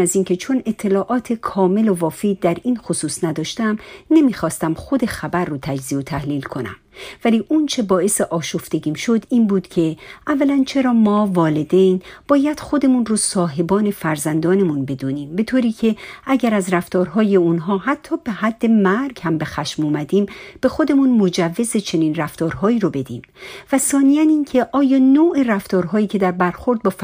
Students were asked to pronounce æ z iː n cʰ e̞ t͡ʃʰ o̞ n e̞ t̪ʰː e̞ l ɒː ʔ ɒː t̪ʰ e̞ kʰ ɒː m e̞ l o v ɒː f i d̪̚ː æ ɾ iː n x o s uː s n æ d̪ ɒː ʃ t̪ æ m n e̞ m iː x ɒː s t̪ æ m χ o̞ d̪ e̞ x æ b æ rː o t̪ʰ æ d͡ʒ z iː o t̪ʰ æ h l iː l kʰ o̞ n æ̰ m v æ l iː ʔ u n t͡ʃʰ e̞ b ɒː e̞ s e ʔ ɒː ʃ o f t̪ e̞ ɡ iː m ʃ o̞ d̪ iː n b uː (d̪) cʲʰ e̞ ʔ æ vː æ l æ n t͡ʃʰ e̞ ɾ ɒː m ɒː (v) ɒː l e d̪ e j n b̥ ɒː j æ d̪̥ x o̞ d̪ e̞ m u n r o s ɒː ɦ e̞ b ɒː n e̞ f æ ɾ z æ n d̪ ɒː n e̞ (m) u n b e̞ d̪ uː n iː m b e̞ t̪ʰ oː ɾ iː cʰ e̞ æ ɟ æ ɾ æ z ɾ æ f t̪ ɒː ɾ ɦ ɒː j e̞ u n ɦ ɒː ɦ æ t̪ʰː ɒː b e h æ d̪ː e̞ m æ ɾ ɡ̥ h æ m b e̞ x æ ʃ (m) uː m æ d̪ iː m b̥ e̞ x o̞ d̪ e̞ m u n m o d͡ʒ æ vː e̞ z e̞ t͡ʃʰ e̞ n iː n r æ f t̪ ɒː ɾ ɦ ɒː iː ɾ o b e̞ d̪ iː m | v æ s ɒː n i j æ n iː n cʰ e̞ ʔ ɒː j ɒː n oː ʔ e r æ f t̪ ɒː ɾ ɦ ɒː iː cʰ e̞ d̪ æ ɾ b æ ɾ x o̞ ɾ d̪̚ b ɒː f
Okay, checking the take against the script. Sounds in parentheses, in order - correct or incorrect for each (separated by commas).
correct, correct, correct, correct